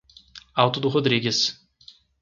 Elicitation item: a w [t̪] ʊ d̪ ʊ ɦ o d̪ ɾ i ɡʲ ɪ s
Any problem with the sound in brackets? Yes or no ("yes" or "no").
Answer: no